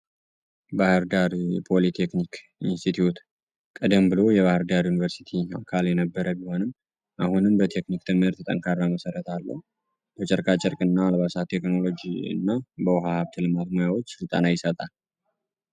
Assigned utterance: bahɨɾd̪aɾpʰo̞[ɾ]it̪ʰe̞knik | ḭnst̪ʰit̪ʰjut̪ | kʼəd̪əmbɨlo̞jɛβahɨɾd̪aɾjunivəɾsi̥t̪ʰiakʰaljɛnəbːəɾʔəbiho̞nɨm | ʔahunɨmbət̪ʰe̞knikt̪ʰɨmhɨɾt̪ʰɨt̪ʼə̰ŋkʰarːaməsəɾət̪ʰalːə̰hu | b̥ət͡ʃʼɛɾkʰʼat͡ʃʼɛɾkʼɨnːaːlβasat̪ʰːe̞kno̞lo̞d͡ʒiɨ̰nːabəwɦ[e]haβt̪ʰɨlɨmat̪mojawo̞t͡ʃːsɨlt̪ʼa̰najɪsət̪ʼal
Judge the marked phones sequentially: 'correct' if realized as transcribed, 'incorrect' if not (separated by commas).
incorrect, incorrect